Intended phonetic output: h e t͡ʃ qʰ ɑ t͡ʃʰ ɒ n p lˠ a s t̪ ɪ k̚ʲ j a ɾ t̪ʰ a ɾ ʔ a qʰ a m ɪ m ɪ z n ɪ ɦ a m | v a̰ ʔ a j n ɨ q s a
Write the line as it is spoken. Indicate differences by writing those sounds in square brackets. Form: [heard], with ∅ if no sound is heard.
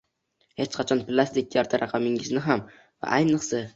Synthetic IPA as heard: h e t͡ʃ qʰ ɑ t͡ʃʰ ɒ n p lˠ a s t̪ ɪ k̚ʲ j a ɾ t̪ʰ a ɾ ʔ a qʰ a m ɪ [ŋ] ɪ z n ɪ ɦ a m | v a̰ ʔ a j n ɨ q s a